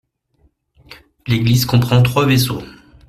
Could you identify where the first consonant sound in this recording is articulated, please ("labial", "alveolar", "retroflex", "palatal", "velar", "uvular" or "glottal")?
alveolar